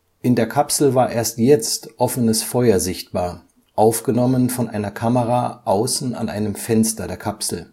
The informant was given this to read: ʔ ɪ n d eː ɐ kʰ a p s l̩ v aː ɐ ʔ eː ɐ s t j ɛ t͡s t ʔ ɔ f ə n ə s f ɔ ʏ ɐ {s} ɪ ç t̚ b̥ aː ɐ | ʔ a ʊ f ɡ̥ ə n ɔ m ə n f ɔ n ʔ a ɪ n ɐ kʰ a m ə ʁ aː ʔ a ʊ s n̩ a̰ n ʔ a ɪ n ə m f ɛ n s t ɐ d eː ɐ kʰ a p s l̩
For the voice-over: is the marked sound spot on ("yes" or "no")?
no